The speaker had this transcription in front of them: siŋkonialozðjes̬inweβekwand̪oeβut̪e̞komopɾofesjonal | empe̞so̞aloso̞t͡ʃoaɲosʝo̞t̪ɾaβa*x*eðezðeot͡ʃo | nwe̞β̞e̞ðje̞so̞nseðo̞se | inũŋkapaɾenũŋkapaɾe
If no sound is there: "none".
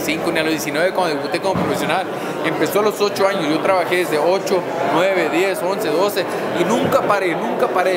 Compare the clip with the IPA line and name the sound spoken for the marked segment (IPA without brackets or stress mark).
x